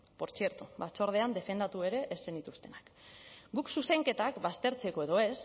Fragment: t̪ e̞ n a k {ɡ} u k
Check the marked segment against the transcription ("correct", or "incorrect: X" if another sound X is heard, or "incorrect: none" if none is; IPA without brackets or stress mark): correct